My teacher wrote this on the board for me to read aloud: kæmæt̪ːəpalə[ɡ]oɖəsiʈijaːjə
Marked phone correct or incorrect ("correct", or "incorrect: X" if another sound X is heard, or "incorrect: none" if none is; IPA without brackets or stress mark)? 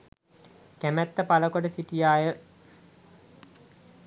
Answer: incorrect: k